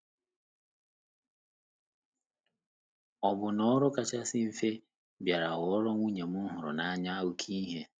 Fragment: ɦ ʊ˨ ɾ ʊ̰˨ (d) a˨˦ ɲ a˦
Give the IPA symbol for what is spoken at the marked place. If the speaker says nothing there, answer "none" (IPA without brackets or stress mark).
n